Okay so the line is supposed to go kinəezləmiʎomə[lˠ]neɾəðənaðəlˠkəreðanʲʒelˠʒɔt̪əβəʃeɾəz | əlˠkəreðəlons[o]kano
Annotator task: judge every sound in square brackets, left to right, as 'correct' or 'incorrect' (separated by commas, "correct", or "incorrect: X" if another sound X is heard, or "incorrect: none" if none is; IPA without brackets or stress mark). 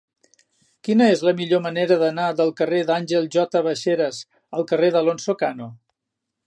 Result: incorrect: none, correct